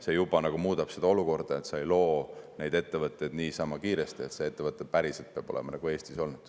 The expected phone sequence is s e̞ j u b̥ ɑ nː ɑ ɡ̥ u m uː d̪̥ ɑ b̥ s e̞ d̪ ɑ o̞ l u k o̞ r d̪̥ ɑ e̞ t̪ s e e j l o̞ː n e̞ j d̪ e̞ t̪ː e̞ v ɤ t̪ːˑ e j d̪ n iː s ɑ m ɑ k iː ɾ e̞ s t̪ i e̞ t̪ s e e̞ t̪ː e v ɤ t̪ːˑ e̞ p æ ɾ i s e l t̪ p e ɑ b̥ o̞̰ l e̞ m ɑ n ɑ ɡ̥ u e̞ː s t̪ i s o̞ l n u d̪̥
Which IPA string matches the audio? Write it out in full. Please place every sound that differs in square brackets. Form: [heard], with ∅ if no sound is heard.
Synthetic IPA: s e̞ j u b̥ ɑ [n] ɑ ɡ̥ u m uː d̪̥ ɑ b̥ s e̞ d̪ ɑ o̞ l u k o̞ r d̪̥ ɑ e̞ t̪ s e e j l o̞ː n e̞ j d̪ e̞ t̪ː e̞ v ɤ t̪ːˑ e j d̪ n iː s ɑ m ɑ k iː ɾ e̞ s t̪ i e̞ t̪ s e e̞ t̪ː e v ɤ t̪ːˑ e̞ p æ ɾ i s e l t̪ p e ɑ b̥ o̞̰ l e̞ m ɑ n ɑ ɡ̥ u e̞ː s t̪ i s o̞ l n u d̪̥